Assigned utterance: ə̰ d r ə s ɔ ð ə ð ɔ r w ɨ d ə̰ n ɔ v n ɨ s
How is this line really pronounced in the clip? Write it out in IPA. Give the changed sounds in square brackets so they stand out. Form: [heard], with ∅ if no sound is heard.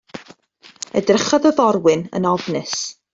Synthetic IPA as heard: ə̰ d r ə [χ] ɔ ð ə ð ɔ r w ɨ [n] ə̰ n ɔ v n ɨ s

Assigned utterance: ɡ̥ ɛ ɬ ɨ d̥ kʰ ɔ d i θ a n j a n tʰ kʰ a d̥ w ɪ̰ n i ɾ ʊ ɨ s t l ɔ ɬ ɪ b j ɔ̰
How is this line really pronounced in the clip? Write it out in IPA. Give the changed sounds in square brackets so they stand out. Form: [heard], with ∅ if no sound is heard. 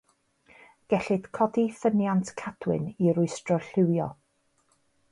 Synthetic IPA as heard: ɡ̥ ɛ ɬ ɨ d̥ kʰ ɔ d i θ [ə] n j a n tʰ kʰ a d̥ w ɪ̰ n i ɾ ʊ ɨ s t [r] ɔ ɬ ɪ [w] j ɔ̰

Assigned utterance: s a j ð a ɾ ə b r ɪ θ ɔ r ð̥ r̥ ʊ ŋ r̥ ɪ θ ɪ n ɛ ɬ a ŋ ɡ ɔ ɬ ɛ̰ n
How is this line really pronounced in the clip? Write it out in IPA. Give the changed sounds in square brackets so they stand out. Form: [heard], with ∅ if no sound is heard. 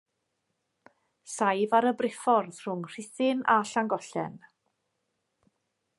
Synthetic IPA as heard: s a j [v] a ɾ ə b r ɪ [f] ɔ r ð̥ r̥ ʊ ŋ r̥ ɪ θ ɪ n [a] ɬ a ŋ ɡ ɔ ɬ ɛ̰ n

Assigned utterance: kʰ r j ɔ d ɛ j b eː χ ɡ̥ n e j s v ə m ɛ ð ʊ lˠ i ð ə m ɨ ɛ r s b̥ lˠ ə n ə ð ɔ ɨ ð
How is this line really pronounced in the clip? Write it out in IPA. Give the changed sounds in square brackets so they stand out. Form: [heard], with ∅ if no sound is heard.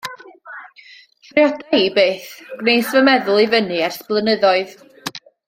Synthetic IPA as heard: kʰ r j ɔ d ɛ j b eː [θ] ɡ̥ n e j s v ə m ɛ ð ʊ lˠ i [v] ə [n] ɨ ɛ r s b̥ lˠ ə n ə ð ɔ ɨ ð

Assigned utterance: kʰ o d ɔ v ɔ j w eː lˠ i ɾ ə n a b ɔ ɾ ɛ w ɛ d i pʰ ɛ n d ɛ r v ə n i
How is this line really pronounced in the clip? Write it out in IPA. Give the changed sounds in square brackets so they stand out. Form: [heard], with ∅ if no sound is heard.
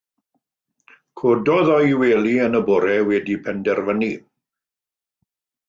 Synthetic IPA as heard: kʰ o d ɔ [ð] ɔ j w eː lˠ i [∅] ə n [ə] b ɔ ɾ ɛ w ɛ d i pʰ ɛ n d ɛ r v ə n i

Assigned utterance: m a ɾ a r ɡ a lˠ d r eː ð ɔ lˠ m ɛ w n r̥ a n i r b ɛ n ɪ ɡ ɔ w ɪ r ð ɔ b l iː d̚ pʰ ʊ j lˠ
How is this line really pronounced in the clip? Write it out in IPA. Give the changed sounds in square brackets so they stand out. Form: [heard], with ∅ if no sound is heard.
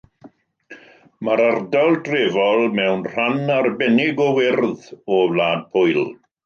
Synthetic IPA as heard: m a ɾ a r [d] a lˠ d r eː [v] ɔ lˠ m ɛ w n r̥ a n [a] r b ɛ n ɪ ɡ ɔ w ɪ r ð ɔ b l [aː] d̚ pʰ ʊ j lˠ

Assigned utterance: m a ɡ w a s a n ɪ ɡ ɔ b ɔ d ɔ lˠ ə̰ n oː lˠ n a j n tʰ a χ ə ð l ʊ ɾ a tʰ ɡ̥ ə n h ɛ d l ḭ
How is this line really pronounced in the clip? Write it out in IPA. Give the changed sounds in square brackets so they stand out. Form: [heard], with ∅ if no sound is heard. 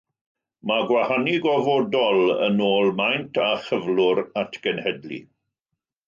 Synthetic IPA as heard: m a ɡ w a [h] a n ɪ ɡ ɔ [v] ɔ d ɔ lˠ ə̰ n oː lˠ [m] a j n tʰ a χ ə [v] l ʊ ɾ a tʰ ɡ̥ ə n h ɛ d l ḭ

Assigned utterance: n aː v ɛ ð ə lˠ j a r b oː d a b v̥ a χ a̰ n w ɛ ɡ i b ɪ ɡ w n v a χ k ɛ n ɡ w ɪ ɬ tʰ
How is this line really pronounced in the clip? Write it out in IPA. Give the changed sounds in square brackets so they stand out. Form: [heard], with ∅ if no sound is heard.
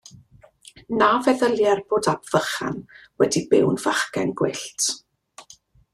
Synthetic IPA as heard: n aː v ɛ ð ə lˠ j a r b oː d a b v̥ [ə] χ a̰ n w ɛ [d] i b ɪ [∅] w n v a χ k ɛ n ɡ w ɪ ɬ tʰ

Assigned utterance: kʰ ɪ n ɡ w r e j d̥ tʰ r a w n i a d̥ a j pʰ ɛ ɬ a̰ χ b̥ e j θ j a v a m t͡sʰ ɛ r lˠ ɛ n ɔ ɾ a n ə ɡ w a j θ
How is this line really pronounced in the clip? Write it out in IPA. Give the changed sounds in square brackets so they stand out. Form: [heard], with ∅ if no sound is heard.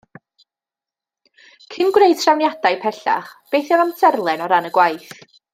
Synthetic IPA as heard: kʰ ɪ n ɡ w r e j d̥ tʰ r a w n [j] a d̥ a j pʰ ɛ ɬ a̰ χ b̥ e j θ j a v a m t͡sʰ ɛ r lˠ ɛ n ɔ ɾ a n ə ɡ w a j θ

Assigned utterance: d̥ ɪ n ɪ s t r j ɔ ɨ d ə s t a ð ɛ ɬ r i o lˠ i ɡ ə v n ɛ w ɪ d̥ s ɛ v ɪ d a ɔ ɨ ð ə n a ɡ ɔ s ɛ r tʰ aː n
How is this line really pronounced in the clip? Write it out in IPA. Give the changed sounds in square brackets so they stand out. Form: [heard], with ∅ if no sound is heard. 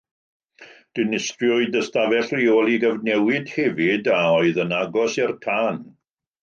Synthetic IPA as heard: d̥ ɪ n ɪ s t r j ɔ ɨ d ə s t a [v] ɛ ɬ r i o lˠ i ɡ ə v n ɛ w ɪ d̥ [h] ɛ v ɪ d a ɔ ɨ ð ə n a ɡ ɔ s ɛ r tʰ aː n

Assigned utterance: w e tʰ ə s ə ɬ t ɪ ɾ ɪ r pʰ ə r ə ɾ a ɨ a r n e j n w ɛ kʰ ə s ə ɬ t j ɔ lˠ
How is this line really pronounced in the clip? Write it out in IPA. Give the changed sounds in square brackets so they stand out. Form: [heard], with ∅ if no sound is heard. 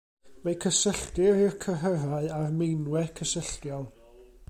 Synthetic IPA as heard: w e [kʰ] ə s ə ɬ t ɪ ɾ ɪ r [kʰ] ə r ə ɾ a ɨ a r [m] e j n w ɛ kʰ ə s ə ɬ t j ɔ lˠ

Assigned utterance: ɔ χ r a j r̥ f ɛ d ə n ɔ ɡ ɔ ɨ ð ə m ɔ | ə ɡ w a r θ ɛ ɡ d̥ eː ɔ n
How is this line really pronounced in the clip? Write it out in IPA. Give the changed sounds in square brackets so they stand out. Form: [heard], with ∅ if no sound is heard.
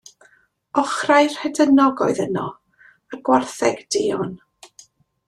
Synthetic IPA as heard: ɔ χ r a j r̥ [h] ɛ d ə n ɔ ɡ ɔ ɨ ð ə [n] ɔ | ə ɡ w a r θ ɛ ɡ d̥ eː ɔ n

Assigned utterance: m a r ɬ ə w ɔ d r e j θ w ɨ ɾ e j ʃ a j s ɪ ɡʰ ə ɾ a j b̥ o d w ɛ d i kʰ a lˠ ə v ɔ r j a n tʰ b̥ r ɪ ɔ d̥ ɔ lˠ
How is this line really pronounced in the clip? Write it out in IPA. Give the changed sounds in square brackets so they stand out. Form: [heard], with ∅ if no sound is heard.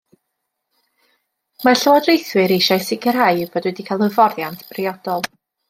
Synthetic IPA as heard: m a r ɬ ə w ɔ d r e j θ w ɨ ɾ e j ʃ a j s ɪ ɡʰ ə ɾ a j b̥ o d w ɛ d i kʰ a lˠ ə v ɔ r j a n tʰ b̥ r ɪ ɔ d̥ ɔ lˠ

